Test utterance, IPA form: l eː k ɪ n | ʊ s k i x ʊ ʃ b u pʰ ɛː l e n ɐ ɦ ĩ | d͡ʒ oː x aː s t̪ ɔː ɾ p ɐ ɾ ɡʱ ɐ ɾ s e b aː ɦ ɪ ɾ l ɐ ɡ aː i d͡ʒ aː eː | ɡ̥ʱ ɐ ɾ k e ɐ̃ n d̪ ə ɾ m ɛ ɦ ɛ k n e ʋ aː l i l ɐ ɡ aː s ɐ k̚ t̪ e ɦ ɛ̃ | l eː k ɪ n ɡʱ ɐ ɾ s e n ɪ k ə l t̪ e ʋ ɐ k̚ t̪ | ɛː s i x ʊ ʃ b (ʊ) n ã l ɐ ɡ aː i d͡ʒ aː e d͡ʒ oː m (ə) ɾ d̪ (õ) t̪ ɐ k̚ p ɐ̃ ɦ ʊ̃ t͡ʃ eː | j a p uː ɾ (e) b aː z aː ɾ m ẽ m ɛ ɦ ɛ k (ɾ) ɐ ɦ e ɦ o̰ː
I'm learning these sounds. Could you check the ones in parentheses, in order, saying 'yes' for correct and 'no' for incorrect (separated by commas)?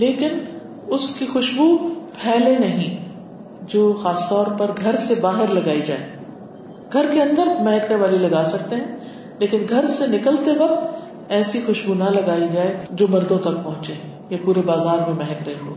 no, no, yes, yes, yes